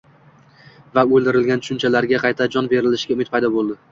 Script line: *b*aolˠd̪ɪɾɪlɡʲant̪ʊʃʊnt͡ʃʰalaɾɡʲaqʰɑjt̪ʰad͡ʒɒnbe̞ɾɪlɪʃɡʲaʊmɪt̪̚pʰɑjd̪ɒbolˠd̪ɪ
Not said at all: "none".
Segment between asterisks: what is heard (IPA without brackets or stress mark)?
v